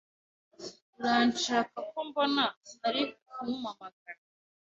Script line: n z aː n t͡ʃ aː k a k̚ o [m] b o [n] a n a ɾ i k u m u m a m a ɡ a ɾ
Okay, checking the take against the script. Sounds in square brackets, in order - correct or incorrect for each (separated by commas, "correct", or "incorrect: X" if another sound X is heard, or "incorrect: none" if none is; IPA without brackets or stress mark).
correct, correct